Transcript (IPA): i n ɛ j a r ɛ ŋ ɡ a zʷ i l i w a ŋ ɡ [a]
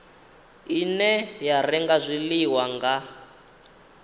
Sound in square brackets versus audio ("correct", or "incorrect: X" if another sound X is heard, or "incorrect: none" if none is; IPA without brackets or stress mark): correct